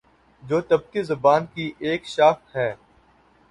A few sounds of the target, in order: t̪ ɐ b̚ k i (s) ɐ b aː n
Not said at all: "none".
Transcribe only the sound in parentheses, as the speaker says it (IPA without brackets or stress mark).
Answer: z